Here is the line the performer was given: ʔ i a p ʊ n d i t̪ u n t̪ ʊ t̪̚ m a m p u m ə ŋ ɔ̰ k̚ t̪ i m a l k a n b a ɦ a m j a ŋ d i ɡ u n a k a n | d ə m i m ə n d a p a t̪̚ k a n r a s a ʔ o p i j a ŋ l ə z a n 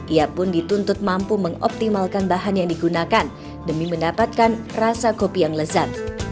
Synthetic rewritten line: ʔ i a p ʊ n d i t̪ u n t̪ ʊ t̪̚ m a m p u m ə ŋ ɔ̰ p̚ t̪ i m a l k a n b a ɦ a n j a ŋ d i ɡ u n a k a n | d ə m i m ə n d a p a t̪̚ k a n r a s a k o p i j a ŋ l ə z a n